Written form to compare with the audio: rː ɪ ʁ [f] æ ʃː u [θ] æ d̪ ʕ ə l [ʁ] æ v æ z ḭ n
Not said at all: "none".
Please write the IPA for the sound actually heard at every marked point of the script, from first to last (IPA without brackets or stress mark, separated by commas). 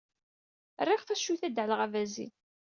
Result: θ, θ, ʁ